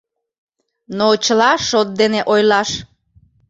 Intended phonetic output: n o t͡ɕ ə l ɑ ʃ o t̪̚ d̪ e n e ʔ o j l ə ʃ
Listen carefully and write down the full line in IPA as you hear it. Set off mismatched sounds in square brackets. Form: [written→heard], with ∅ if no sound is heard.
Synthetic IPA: n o t͡ɕ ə l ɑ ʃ o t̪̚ d̪ e n e ʔ o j l [ə→ɑ] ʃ